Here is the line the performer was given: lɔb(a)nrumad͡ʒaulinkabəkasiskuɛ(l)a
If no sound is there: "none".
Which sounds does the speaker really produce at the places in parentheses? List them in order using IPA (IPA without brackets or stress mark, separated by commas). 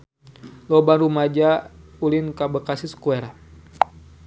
a, ɾ